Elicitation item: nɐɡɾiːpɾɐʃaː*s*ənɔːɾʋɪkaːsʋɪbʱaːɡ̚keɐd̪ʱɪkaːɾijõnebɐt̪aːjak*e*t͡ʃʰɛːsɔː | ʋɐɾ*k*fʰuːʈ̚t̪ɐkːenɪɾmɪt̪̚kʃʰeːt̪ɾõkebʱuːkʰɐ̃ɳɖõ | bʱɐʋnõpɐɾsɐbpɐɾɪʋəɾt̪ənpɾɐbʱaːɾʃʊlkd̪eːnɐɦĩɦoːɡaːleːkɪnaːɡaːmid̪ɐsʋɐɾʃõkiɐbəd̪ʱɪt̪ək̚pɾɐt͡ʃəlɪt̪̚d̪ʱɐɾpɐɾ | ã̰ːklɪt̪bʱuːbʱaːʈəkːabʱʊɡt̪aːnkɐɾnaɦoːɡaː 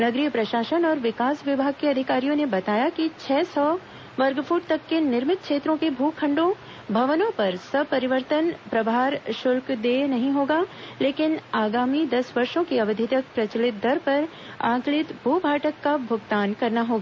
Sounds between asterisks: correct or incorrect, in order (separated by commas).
incorrect, incorrect, incorrect